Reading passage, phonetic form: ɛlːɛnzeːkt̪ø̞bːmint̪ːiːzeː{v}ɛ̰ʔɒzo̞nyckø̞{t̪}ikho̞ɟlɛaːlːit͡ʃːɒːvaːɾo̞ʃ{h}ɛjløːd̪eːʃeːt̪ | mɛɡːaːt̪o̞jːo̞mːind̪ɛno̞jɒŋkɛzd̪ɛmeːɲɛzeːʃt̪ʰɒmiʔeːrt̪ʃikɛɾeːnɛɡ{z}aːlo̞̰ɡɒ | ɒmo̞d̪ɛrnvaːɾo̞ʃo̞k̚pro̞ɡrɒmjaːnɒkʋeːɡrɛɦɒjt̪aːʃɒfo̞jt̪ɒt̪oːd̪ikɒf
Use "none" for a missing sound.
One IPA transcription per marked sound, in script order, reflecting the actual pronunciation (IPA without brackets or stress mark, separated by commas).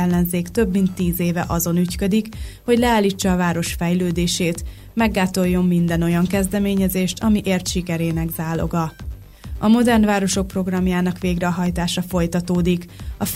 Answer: v, d̪, f, z